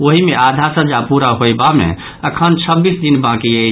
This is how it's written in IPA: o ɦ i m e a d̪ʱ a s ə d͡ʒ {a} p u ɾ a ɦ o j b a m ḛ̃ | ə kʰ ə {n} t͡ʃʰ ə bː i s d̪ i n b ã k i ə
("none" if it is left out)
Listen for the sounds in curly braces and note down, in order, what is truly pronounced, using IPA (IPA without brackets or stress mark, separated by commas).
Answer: a, n